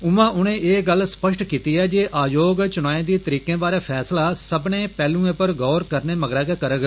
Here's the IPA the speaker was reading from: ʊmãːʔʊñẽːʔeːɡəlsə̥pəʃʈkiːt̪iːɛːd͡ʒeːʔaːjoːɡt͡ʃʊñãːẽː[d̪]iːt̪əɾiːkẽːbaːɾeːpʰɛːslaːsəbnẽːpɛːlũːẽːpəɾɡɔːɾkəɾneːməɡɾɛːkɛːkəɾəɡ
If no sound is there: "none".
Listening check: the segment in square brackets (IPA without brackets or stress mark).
d̪